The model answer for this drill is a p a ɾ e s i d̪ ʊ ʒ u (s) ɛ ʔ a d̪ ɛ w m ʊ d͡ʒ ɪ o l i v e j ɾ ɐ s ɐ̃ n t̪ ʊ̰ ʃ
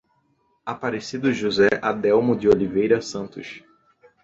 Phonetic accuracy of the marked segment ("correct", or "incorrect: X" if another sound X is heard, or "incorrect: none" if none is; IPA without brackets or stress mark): incorrect: z